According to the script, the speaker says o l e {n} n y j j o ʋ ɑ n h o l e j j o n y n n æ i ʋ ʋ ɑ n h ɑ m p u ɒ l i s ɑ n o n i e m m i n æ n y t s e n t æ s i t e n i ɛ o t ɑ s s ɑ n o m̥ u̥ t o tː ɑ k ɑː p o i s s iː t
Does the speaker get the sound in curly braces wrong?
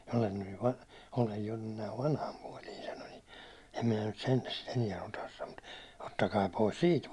no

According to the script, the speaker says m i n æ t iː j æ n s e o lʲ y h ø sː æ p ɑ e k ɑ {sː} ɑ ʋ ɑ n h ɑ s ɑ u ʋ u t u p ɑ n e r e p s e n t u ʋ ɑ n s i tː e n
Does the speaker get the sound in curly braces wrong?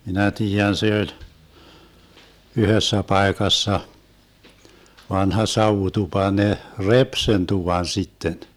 no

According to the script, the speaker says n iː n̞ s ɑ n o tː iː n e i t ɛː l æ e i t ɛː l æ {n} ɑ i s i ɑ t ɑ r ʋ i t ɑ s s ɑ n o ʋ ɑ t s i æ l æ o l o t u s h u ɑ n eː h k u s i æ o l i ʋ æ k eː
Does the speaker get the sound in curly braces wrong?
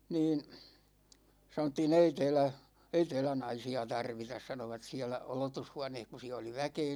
no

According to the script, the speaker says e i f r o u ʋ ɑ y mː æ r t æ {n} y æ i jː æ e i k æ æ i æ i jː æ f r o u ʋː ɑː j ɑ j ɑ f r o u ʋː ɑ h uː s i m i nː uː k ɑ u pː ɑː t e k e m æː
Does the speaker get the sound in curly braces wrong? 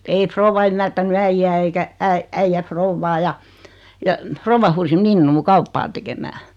no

